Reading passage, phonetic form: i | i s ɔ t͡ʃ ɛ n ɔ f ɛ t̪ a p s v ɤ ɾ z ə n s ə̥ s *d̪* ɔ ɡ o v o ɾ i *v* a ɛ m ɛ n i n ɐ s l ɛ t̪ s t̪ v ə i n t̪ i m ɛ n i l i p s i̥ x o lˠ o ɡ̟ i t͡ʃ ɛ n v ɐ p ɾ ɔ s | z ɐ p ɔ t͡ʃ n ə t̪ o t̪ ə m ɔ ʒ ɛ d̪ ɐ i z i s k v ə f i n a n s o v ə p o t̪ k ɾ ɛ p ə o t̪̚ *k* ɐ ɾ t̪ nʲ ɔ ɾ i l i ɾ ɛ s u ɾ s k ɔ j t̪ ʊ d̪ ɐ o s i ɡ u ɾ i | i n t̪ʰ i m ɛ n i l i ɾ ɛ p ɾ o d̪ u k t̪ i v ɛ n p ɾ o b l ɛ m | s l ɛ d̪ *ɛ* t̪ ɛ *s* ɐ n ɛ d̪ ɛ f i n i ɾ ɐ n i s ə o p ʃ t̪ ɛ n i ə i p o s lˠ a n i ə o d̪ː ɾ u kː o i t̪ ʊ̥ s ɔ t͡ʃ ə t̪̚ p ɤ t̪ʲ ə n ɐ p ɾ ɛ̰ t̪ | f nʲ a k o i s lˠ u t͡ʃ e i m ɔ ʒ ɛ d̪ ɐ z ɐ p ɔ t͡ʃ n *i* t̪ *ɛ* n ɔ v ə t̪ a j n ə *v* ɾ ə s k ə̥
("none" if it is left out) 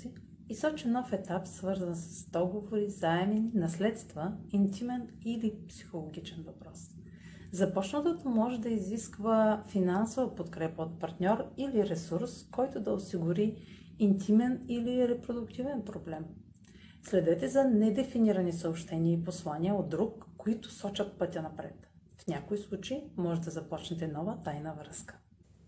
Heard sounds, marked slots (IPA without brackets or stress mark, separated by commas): d̪, z, p, ɛ, z, ɛ, ɛ, v